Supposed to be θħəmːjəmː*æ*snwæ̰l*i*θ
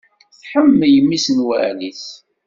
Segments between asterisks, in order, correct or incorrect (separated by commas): incorrect, correct